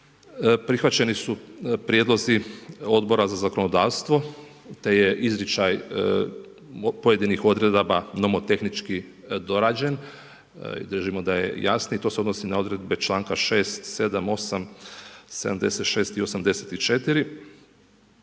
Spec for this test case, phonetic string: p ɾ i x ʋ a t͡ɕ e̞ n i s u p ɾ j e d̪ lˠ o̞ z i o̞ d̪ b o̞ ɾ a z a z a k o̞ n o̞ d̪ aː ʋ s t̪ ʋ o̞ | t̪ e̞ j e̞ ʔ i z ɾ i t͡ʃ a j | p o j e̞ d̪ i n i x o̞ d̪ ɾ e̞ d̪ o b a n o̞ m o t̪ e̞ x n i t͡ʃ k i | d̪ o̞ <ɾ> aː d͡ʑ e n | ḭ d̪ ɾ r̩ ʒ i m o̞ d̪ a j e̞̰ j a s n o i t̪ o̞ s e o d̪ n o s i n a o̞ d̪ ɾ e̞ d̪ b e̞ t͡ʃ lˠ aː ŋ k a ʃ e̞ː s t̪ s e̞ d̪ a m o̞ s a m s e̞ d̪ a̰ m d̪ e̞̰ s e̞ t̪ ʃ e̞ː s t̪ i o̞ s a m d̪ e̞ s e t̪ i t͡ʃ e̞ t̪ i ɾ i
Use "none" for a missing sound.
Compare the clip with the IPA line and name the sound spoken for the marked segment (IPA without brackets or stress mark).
ɾ